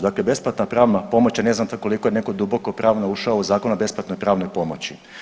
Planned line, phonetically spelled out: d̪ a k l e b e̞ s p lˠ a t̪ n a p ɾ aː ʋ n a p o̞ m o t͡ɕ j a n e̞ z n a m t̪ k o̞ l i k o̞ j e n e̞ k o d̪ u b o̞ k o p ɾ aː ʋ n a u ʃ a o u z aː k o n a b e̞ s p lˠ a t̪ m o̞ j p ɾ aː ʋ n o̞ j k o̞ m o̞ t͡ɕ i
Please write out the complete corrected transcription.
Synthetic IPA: d̪ a k l e b e̞ s p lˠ a t̪ n a p ɾ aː ʋ n a p o̞ m o t͡ɕ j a n e̞ z n a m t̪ k o̞ l i k o̞ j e n e̞ k o d̪ u b o̞ k o p ɾ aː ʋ n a u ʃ a o u z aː k o n a b e̞ s p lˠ a t̪ n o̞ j p ɾ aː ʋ n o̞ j p o̞ m o̞ t͡ɕ i